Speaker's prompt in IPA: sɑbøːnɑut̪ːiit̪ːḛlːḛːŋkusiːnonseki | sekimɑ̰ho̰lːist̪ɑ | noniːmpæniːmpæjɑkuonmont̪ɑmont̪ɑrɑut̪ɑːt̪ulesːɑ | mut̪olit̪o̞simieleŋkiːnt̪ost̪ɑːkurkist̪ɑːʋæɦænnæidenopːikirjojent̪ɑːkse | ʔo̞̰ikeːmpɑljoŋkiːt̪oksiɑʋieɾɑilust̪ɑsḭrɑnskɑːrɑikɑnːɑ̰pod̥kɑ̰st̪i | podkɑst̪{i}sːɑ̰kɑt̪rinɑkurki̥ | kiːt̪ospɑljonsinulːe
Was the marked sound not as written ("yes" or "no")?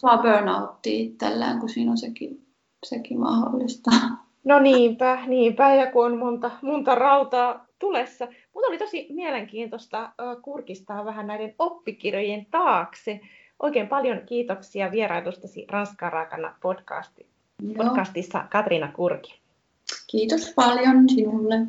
no